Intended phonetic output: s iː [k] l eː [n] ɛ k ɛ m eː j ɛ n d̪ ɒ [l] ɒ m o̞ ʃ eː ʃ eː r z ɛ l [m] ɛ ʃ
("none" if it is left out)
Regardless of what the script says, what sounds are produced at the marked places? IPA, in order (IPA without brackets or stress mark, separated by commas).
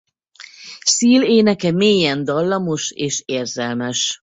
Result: none, n, lː, m